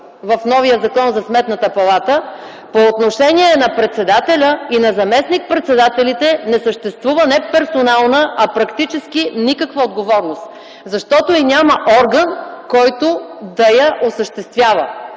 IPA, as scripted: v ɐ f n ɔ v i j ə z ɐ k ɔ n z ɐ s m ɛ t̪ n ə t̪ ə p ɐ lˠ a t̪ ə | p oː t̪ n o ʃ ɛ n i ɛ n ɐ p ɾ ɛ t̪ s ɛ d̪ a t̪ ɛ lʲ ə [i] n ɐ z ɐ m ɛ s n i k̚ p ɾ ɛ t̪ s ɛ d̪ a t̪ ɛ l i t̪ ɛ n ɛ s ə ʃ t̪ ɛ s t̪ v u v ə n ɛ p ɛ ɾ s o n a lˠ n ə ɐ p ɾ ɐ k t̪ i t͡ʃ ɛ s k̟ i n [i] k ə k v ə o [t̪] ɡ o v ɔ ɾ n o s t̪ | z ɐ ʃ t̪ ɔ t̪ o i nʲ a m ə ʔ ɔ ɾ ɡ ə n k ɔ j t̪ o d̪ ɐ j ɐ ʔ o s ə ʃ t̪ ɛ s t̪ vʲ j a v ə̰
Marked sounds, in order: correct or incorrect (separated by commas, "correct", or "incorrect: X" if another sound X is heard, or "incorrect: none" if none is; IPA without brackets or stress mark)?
correct, correct, incorrect: d̪